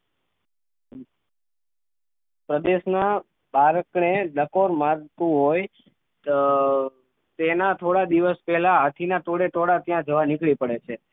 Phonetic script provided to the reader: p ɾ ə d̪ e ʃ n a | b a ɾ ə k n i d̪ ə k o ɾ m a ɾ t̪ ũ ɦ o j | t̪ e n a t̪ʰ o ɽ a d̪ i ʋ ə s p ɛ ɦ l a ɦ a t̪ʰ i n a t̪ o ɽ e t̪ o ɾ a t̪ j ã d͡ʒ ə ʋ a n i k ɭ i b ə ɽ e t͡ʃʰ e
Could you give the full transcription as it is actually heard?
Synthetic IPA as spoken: p ɾ ə d̪ e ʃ n a | b a ɾ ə k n e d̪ ə k o ɾ m a ɾ t̪ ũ ɦ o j | t̪ e n a t̪ʰ o ɽ a d̪ i ʋ ə s p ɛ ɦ l a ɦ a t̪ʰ i n a t̪ o ɽ e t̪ o ɽ a t̪ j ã d͡ʒ ə ʋ a n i k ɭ i p ə ɽ e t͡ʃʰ e